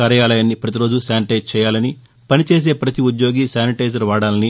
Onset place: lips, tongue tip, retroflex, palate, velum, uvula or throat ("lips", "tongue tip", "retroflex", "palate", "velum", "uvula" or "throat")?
tongue tip